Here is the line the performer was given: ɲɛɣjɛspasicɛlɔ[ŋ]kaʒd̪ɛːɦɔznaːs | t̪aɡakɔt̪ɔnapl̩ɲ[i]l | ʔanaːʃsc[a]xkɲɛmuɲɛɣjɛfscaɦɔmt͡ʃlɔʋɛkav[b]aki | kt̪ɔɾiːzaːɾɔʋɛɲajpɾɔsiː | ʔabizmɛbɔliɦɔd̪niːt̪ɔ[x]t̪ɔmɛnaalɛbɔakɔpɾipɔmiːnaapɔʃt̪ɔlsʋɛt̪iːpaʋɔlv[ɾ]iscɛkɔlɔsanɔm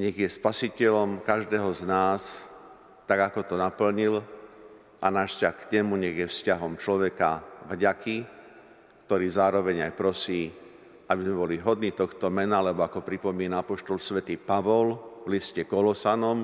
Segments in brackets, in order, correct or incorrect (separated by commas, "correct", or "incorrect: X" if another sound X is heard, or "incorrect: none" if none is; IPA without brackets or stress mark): incorrect: m, correct, correct, incorrect: ɟ, correct, incorrect: l